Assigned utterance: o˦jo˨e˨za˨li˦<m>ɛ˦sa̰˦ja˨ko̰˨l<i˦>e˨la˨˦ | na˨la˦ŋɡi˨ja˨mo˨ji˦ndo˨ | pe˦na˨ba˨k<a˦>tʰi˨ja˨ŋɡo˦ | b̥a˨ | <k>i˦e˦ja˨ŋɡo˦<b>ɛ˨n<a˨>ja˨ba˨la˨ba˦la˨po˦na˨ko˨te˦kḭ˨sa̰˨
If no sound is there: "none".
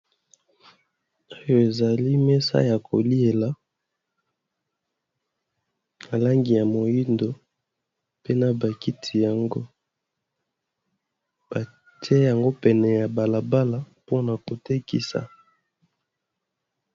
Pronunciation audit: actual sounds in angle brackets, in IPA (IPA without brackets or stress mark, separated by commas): m, i˦, i˦, t, p, ɛ˨